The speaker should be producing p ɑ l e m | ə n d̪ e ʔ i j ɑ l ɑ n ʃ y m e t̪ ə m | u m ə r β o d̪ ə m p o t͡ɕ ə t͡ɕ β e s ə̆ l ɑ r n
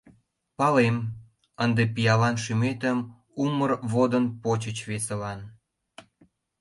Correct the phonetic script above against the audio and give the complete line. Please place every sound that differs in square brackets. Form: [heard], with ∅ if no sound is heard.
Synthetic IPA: p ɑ l e m | ə n d̪ e [p] i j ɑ l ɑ n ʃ y m e t̪ ə m | u m ə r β o d̪ ə [n] p o t͡ɕ ə t͡ɕ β e s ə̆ l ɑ [∅] n